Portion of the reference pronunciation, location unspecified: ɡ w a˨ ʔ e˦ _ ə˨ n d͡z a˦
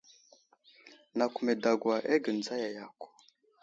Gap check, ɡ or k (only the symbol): ɡ